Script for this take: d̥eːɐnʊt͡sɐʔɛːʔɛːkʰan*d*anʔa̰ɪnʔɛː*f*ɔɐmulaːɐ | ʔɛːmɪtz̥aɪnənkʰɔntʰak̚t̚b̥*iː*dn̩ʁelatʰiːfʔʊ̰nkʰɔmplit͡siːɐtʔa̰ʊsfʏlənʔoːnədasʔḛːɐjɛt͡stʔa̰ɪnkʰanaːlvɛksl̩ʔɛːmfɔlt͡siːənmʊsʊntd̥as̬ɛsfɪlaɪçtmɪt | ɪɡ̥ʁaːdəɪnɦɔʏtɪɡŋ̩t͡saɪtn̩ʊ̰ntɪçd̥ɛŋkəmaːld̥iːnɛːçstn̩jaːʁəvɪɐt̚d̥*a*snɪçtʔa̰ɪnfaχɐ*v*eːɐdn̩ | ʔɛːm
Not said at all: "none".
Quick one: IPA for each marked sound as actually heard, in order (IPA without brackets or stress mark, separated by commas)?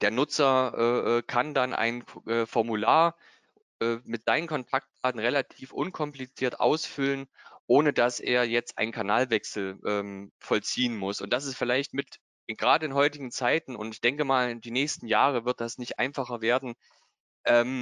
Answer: d, f, aː, a, v